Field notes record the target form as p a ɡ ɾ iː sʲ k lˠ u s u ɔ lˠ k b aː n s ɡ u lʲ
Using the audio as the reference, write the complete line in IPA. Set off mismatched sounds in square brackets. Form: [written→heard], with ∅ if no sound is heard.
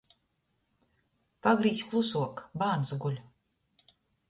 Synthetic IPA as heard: p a ɡ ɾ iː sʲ k lˠ u s u ɔ [lˠ→∅] k b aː n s ɡ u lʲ